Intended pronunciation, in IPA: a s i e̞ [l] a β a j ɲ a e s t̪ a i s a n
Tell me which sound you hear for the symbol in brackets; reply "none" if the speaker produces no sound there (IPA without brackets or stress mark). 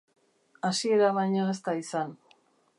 ɾ